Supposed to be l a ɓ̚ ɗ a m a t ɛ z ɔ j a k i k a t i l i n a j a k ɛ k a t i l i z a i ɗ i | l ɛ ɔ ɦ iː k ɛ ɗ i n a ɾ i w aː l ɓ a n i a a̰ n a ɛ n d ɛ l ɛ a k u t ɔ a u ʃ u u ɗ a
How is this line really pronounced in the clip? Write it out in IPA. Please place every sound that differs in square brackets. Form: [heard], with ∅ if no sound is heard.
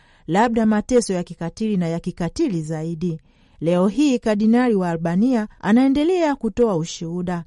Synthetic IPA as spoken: l a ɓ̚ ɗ a m a t ɛ [s] ɔ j a k i k a t i l i n a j a k [i] k a t i l i z a i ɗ i | l ɛ ɔ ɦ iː k [a] ɗ i n a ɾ i w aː l ɓ a n i a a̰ n a ɛ n d ɛ l ɛ a k u t ɔ a u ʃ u u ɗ a